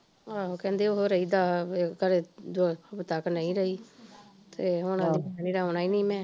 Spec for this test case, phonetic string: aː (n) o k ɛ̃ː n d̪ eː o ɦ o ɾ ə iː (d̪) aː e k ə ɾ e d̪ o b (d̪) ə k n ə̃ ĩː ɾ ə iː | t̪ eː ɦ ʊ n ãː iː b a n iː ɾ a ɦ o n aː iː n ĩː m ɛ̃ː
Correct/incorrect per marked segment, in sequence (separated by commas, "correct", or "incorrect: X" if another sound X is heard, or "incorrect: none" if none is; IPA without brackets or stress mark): incorrect: none, correct, incorrect: t̪